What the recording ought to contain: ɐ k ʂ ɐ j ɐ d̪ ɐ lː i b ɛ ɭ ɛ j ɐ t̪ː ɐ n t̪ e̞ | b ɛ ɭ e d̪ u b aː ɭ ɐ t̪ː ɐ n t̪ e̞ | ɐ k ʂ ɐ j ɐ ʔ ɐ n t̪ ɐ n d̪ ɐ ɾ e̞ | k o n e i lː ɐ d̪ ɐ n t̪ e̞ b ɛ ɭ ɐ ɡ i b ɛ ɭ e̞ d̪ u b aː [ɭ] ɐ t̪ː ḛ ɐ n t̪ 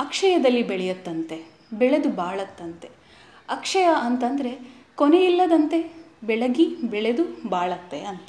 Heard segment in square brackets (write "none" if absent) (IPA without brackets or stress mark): ɭ